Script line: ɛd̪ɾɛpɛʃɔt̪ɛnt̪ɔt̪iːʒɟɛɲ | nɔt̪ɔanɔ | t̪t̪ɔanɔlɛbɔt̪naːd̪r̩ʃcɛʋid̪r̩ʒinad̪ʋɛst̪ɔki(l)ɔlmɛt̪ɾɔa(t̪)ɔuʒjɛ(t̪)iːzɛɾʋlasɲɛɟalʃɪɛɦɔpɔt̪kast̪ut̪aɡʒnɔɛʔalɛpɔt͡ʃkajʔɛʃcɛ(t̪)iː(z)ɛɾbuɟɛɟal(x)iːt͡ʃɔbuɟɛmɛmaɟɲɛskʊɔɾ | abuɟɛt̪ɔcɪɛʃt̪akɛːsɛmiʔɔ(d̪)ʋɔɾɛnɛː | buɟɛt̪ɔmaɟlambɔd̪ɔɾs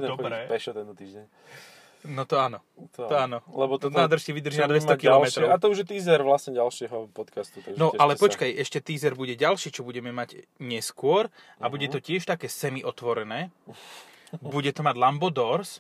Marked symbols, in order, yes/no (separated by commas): yes, yes, yes, yes, yes, no, no